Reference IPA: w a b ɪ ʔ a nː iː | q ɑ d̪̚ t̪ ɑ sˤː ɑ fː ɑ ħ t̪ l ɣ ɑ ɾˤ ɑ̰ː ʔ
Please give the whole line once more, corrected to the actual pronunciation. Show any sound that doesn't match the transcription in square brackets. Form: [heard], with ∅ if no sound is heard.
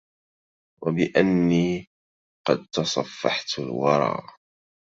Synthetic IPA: w a b ɪ ʔ a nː iː | q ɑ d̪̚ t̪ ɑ [sˤ] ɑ fː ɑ ħ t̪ l [w] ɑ ɾˤ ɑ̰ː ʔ